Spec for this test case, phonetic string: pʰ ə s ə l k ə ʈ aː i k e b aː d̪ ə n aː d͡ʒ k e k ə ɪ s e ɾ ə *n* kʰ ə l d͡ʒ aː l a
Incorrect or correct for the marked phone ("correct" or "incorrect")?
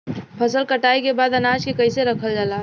incorrect